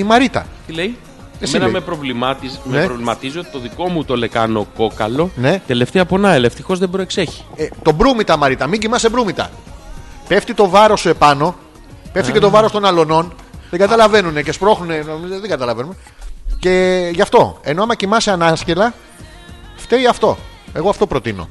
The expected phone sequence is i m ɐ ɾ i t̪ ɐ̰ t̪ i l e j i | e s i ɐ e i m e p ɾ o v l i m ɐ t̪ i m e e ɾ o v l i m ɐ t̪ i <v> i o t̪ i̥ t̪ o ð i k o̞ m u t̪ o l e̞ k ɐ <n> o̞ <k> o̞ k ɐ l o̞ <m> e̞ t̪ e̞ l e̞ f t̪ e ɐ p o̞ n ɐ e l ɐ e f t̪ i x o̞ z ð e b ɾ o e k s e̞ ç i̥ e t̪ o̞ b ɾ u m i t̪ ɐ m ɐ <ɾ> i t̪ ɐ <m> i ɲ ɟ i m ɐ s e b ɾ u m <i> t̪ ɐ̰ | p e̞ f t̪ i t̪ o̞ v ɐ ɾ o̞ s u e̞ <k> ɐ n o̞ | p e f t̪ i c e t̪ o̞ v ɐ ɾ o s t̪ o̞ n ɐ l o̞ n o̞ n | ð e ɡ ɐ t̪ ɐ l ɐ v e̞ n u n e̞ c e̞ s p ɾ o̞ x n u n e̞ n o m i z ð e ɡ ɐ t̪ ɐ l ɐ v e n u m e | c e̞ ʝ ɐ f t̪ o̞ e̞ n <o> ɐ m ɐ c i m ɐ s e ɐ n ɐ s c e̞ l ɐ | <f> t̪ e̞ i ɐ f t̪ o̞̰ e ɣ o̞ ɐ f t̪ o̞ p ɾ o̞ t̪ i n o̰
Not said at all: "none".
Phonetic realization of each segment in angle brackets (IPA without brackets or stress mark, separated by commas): z, n, k, n, ɾ, m, i, p, o, f